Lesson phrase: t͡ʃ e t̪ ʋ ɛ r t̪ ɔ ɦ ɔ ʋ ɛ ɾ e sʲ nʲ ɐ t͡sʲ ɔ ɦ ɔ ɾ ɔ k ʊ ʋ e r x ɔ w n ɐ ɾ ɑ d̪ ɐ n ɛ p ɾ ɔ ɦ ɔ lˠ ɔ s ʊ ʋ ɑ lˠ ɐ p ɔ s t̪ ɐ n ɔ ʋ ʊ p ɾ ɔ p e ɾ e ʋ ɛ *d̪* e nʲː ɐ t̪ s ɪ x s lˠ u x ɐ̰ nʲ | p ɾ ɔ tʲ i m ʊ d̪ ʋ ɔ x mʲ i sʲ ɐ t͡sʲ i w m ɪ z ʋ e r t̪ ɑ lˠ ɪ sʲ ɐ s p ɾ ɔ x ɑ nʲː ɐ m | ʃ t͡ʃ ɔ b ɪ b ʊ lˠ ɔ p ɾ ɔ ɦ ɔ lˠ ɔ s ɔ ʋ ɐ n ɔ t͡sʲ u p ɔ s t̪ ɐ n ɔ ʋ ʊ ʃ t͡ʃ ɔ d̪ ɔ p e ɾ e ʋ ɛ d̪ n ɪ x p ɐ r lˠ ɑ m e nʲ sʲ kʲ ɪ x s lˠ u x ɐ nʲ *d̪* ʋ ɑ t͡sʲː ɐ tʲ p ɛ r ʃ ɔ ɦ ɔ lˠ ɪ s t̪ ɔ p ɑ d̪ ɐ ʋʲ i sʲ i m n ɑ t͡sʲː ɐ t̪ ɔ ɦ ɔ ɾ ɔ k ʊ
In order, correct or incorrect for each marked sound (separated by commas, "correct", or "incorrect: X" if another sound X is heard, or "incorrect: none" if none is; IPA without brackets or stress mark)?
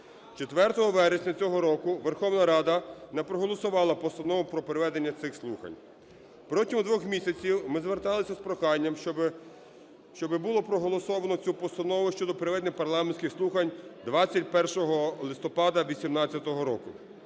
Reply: correct, correct